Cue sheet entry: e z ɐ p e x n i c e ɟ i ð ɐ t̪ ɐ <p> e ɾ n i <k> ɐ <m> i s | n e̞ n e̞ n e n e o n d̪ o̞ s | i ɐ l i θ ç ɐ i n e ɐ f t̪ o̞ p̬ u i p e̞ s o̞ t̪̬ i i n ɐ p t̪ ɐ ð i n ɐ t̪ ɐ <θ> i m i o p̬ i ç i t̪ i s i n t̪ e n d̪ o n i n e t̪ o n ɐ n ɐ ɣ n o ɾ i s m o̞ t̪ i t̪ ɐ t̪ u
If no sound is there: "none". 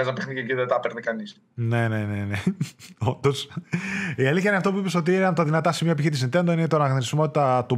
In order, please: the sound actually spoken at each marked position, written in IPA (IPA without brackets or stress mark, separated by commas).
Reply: p, k, n, s